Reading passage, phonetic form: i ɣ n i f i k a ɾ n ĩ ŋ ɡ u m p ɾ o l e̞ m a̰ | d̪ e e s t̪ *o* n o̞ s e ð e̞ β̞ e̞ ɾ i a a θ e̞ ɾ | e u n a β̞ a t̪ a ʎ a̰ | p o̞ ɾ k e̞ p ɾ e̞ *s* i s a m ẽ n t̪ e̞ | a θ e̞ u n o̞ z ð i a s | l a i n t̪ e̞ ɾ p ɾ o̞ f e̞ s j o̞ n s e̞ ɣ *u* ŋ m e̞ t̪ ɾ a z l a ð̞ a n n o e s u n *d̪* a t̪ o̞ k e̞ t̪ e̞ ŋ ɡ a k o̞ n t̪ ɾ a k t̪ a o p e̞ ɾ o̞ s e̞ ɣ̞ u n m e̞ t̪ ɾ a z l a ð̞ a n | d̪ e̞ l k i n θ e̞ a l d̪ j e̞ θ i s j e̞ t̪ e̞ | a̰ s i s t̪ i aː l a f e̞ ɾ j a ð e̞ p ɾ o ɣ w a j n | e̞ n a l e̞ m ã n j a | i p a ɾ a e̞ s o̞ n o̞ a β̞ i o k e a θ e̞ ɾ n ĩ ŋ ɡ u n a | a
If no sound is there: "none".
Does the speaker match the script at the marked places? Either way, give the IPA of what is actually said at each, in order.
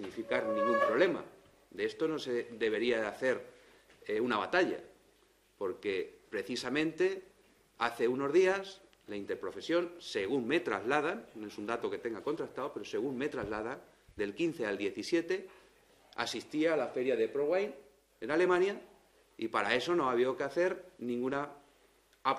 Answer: o, θ, u, d̪

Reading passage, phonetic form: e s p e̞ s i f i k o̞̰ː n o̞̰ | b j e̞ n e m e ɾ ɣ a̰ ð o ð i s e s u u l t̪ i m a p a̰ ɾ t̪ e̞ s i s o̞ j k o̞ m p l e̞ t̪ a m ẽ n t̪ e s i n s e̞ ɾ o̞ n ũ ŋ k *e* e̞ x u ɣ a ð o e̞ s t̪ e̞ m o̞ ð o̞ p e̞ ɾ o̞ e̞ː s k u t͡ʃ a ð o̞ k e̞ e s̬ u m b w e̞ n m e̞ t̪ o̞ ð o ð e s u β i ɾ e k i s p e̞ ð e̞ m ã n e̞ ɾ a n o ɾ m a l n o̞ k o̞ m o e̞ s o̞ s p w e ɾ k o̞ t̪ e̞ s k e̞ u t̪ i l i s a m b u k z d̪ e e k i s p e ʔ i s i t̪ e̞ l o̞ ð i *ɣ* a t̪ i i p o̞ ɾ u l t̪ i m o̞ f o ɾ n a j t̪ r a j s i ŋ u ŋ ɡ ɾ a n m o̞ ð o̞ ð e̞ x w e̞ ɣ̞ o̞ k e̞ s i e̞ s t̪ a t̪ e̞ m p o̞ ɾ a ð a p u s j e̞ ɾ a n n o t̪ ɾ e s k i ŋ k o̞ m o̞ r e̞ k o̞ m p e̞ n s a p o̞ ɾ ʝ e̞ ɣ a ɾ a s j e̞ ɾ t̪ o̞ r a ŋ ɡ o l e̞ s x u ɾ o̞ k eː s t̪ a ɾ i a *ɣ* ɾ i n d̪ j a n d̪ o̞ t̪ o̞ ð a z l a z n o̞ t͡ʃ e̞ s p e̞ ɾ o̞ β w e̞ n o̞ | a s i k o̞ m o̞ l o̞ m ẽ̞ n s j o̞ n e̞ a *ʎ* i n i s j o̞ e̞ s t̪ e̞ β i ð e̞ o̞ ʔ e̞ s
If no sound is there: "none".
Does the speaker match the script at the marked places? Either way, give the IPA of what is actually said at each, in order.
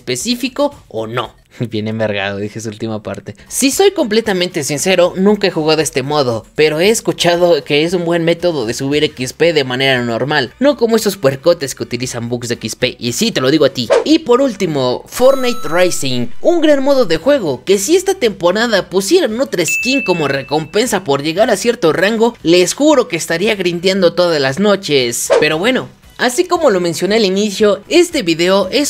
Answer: a, ɣ, ɣ, l

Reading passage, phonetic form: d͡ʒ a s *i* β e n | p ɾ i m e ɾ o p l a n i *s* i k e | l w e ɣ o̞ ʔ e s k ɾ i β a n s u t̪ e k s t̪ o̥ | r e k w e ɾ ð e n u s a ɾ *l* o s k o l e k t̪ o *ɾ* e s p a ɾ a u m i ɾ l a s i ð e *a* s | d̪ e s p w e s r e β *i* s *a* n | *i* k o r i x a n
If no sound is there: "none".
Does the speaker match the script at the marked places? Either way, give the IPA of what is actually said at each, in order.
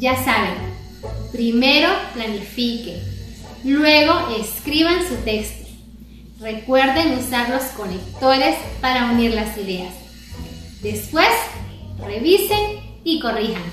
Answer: a, f, l, ɾ, a, i, e, i

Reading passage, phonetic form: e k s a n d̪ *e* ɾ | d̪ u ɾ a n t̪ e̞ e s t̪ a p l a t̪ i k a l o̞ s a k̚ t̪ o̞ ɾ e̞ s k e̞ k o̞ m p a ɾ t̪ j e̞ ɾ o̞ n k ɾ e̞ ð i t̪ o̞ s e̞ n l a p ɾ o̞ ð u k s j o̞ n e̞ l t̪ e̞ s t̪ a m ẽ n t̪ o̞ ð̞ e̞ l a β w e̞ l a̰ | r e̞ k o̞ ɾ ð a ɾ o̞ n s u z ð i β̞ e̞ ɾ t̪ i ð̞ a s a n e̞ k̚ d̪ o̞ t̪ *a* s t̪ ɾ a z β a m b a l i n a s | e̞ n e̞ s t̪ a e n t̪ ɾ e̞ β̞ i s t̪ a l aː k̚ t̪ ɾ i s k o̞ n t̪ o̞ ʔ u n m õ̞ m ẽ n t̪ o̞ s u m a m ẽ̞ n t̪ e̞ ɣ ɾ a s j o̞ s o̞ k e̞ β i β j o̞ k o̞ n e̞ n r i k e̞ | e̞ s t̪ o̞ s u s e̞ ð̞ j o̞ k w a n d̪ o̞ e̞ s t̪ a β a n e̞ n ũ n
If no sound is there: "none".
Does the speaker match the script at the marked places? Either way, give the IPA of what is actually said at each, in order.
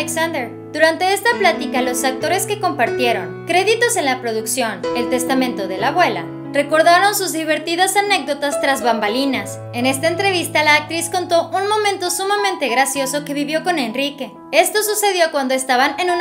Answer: e, a

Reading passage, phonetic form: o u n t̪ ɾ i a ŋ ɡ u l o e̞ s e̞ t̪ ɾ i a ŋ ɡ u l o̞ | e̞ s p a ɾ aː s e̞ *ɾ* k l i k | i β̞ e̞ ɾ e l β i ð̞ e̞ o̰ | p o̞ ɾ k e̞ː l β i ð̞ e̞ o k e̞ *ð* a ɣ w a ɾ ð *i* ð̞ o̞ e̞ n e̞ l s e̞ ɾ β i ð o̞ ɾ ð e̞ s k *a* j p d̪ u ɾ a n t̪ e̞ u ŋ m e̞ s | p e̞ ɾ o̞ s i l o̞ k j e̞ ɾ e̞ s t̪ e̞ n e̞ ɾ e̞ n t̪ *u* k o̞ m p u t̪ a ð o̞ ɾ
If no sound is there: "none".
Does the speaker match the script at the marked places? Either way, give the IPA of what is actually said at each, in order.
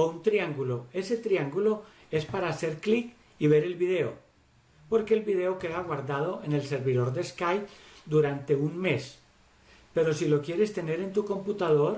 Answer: ɾ, ð, a, a, u

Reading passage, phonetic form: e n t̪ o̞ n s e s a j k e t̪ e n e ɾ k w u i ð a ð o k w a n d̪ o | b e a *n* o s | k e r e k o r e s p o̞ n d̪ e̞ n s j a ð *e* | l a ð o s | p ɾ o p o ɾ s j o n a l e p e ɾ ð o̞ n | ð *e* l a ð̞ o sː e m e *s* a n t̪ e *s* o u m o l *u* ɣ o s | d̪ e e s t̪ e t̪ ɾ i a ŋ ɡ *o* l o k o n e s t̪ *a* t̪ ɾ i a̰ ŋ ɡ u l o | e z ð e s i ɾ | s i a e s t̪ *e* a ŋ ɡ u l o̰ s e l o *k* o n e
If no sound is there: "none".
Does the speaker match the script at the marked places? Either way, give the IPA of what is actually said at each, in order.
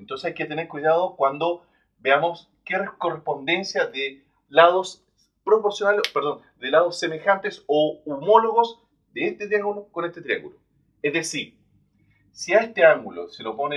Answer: m, e, e, x, s, o, u, e, e, p

